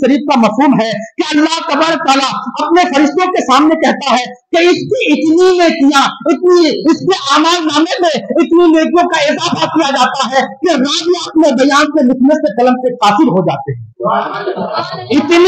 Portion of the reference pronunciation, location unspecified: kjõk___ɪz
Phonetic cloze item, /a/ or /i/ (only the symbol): a